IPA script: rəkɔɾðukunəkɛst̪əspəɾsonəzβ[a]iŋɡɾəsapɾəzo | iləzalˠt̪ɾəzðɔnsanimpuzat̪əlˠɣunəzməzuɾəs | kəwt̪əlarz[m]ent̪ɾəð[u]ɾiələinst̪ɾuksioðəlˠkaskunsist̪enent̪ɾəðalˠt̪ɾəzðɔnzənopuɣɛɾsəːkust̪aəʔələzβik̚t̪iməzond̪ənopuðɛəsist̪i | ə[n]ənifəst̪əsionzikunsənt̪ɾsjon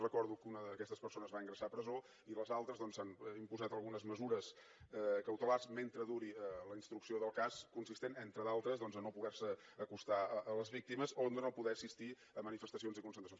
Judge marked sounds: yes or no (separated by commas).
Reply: yes, yes, yes, no